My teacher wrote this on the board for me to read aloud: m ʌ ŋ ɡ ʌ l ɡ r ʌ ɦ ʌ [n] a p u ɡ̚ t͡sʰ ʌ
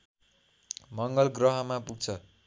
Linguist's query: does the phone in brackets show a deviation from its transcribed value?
yes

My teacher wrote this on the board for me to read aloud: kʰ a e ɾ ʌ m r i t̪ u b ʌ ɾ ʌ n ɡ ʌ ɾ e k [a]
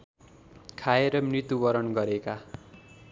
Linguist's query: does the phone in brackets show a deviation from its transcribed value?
no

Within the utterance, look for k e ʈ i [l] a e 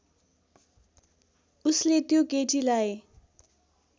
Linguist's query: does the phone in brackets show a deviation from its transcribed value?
no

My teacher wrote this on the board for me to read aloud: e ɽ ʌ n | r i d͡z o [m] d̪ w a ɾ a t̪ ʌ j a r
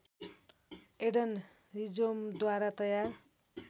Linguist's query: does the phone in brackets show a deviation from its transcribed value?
no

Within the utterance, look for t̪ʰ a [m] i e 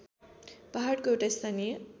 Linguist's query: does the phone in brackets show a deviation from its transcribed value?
yes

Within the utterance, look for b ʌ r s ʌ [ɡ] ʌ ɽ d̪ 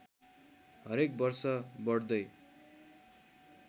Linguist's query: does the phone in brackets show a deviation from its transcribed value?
yes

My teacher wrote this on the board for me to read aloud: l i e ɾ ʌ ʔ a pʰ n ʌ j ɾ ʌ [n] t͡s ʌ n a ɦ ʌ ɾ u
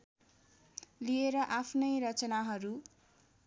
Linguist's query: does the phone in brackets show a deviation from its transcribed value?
yes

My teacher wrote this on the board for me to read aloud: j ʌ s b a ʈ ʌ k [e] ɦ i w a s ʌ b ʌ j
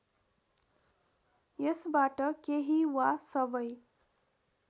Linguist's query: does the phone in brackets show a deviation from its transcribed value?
no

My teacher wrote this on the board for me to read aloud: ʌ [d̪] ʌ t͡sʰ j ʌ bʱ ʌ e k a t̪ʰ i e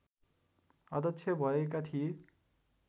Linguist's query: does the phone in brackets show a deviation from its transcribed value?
no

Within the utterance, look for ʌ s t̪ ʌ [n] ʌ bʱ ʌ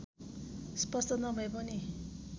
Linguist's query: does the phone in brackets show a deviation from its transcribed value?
no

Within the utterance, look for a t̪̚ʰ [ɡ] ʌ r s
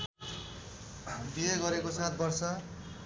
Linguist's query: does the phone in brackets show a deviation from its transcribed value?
yes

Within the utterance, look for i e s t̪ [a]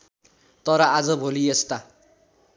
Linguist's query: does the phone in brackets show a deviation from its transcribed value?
no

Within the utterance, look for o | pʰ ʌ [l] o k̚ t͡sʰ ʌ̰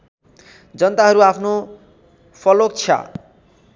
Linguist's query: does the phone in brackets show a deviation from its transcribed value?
no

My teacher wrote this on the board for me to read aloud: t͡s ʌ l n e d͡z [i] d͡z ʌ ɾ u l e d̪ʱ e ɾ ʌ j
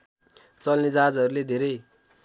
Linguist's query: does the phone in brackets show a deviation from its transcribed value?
yes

